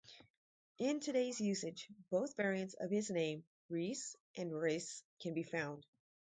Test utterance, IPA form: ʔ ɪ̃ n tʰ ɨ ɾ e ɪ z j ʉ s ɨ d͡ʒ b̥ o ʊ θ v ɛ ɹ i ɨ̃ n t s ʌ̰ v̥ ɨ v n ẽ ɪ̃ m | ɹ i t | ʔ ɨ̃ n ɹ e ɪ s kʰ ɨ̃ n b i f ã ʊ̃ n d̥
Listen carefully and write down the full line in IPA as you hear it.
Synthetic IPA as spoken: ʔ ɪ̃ n tʰ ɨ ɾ e ɪ z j ʉ s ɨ d͡ʒ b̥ o ʊ θ v ɛ ɹ i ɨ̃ n t s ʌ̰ v̥ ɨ z n ẽ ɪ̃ m | ɹ i s | ʔ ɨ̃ n ɹ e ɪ s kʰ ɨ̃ n b i f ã ʊ̃ n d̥